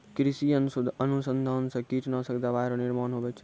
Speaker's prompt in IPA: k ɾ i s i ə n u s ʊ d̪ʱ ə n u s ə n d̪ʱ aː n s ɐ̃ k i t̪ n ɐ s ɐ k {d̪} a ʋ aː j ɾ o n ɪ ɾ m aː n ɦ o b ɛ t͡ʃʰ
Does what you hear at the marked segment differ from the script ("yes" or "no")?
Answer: no